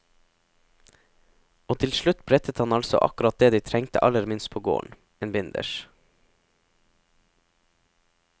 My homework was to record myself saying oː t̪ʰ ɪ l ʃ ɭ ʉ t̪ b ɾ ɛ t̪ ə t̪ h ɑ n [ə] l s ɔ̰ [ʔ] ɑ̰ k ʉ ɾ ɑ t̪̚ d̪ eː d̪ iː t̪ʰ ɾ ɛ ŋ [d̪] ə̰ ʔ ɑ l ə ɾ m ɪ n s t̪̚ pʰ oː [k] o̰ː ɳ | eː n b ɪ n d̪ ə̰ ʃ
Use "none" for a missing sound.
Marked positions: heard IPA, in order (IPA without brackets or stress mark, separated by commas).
ɑ, ʔ, t̪, ɡ